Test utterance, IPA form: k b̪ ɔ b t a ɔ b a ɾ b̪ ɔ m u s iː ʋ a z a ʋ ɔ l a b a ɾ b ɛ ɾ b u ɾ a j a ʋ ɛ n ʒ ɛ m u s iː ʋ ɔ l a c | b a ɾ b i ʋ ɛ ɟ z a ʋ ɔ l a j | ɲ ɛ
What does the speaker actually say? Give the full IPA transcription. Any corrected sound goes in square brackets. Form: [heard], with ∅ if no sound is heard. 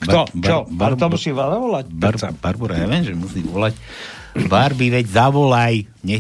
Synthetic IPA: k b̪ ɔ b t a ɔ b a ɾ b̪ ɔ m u s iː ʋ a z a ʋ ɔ l a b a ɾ b [a] ɾ b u ɾ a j a ʋ ɛ n ʒ ɛ m u s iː ʋ ɔ l a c | b a ɾ b i ʋ ɛ ɟ z a ʋ ɔ l a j | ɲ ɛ